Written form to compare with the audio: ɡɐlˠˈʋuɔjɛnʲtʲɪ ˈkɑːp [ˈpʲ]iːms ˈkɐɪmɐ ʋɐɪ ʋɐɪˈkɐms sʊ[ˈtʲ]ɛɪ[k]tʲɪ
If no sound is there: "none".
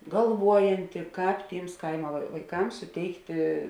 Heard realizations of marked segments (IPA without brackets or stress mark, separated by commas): tʲ, tʲ, k